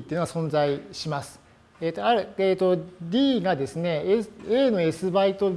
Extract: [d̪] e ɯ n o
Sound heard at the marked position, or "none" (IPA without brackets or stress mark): t̪